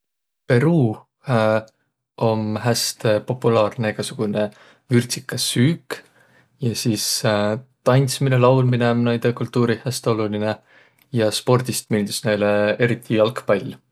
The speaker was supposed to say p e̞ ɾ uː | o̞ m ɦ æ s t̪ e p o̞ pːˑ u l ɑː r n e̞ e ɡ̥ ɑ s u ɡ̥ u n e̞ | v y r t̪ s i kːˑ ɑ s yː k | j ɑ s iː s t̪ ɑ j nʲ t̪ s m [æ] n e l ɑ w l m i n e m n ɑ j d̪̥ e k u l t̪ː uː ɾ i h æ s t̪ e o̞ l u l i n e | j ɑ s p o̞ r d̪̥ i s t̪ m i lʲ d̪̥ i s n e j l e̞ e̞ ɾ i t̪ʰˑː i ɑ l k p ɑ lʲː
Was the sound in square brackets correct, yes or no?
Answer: no